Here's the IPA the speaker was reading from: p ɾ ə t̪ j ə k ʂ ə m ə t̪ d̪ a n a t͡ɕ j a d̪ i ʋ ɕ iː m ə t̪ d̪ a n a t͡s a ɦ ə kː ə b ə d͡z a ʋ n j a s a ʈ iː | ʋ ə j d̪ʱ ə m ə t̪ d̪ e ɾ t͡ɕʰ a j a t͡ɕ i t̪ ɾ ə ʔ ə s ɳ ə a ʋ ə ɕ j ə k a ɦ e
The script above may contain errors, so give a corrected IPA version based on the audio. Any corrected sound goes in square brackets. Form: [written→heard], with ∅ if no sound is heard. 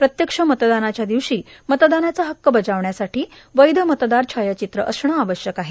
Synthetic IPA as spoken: p ɾ ə t̪ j ə k ʂ ə m ə t̪ d̪ a n a t͡ɕ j a d̪ i ʋ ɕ iː m ə t̪ d̪ a n a t͡s a ɦ ə kː ə b ə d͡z a ʋ [n→ɳ] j a s a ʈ iː | ʋ ə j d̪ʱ ə m ə t̪ d̪ [e→a] ɾ t͡ɕʰ a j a t͡ɕ i t̪ ɾ ə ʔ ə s ɳ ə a ʋ ə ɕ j ə k a ɦ e

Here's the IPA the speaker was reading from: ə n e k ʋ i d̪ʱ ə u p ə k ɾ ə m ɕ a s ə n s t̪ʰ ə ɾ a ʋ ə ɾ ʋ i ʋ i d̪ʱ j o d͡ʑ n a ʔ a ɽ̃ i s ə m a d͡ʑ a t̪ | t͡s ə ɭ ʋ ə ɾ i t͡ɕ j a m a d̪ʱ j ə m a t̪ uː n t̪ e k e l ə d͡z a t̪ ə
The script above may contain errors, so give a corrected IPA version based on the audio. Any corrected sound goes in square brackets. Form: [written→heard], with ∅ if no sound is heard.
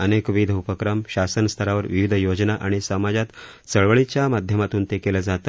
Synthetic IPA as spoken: ə n e k ʋ i d̪ʱ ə u p ə k ɾ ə m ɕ a s ə n s t̪ʰ ə ɾ a ʋ ə ɾ ʋ i ʋ i d̪ʱ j o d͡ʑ n a ʔ a ɽ̃ i s ə m a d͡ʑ a t̪ | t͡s ə ɭ ʋ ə [ɾ→ɭ] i t͡ɕ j a m a d̪ʱ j ə m a t̪ uː n t̪ e k e l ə d͡z a t̪ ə

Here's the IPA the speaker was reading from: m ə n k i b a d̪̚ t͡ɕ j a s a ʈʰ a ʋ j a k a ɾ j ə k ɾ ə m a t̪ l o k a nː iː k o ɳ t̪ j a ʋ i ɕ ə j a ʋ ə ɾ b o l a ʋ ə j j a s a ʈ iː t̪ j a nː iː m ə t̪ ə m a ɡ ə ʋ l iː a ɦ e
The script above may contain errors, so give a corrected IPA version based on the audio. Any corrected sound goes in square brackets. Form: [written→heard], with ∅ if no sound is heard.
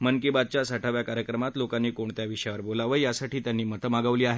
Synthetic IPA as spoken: m ə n k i b a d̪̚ t͡ɕ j a s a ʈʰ a ʋ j a k a ɾ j ə k ɾ ə m a t̪ l o k a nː iː k o ɳ t̪ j a ʋ i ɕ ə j a ʋ ə ɾ b o l a ʋ ə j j a s a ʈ iː t̪ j a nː iː m ə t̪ ə m a ɡ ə ʋ l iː a ɦ e

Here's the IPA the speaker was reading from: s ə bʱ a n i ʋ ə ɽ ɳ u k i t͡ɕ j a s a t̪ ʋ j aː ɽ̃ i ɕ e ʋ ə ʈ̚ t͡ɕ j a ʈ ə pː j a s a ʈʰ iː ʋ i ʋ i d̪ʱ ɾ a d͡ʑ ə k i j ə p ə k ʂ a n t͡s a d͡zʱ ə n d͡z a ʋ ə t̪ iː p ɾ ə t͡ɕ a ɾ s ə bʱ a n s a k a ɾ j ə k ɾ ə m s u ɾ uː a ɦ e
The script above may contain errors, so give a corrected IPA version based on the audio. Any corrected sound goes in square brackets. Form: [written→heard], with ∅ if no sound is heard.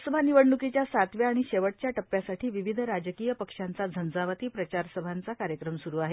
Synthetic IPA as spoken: s ə bʱ a n i ʋ ə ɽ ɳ u k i t͡ɕ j a s a t̪ ʋ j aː ɽ̃ i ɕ e ʋ ə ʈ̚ t͡ɕ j a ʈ ə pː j a s a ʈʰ iː ʋ i ʋ i d̪ʱ ɾ a d͡ʑ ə k i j ə p ə k ʂ a n t͡s a d͡zʱ ə n d͡z a ʋ ə t̪ iː p ɾ ə t͡ɕ a ɾ s ə bʱ a n [s→t͡s] a k a ɾ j ə k ɾ ə m s u ɾ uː a ɦ e

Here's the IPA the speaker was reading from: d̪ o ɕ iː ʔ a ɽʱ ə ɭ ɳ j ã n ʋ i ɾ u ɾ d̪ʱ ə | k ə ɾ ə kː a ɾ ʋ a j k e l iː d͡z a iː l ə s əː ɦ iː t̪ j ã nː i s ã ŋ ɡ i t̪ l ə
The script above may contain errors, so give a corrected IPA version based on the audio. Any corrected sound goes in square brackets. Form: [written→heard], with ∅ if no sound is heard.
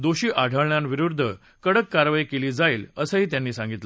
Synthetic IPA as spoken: d̪ o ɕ iː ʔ a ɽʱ ə ɭ ɳ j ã n ʋ i ɾ u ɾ d̪ʱ ə | k ə [ɾ→ɽ] ə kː a ɾ ʋ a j k e l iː d͡z a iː l ə s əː ɦ iː t̪ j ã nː [i→iː] s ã ŋ ɡ i t̪ l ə

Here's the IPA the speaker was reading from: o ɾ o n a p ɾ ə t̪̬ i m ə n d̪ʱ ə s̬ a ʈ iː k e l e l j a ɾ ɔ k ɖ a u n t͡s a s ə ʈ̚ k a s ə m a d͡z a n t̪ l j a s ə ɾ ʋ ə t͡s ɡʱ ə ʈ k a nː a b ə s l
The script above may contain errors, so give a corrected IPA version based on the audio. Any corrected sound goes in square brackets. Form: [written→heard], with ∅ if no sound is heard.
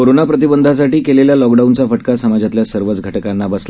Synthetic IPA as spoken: o ɾ o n a p ɾ ə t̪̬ i [m→b] ə n d̪ʱ [ə→a] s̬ a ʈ iː k e l e l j a [ɾ→l] ɔ k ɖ a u n t͡s a [s→f] ə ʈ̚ k a s ə m a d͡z a [n→∅] t̪ l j a s ə ɾ ʋ ə t͡s ɡʱ ə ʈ k a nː a b ə s l

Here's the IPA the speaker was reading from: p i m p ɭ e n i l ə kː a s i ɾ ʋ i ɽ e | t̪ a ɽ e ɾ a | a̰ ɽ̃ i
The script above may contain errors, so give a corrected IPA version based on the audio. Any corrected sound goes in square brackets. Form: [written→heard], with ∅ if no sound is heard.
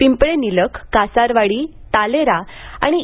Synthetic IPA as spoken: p i m p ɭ e n i l ə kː a s [i→a] ɾ ʋ [i→a] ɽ [e→i] | t̪ a [ɽ→l] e ɾ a | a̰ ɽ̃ i

